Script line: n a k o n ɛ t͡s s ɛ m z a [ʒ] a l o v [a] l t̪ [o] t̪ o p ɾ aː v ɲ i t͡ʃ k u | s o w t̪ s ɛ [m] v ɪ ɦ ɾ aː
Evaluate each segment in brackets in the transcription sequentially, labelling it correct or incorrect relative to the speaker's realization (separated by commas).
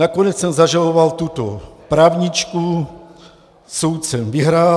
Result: correct, correct, incorrect, correct